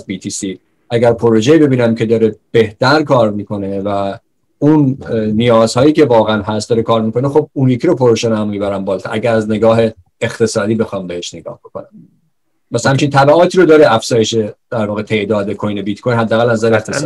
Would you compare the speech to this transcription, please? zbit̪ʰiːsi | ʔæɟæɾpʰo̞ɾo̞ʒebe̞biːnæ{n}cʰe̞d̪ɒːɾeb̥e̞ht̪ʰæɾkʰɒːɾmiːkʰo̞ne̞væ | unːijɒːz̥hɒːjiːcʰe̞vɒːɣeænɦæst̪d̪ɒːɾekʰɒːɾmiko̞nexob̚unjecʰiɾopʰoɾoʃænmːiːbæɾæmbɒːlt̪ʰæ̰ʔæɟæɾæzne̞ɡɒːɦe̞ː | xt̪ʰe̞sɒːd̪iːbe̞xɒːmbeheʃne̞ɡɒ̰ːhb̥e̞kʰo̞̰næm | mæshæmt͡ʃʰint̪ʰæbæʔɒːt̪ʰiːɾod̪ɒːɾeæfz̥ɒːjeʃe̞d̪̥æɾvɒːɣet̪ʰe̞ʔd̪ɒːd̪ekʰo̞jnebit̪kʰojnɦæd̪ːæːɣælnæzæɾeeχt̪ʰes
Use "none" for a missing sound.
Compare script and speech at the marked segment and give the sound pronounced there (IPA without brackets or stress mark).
m